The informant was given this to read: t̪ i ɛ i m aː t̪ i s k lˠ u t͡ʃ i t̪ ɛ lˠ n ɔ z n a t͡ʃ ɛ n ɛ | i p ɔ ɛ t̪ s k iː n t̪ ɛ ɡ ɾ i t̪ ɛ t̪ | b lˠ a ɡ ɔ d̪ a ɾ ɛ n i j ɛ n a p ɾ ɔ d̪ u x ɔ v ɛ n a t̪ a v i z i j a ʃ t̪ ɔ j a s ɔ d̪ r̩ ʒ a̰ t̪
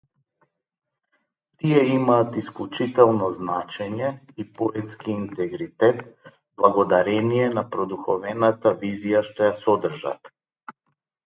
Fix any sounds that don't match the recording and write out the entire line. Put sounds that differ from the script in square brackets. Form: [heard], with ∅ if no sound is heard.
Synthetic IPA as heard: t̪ i ɛ i m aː t̪ i s k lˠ u t͡ʃ i t̪ ɛ lˠ n ɔ z n a t͡ʃ ɛ [ɲ] ɛ | i p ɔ ɛ t̪ s k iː n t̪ ɛ ɡ ɾ i t̪ ɛ t̪ | b lˠ a ɡ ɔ d̪ a ɾ ɛ n i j ɛ n a p ɾ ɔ d̪ u x ɔ v ɛ n a t̪ a v i z i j a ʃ t̪ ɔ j a s ɔ d̪ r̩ ʒ a̰ t̪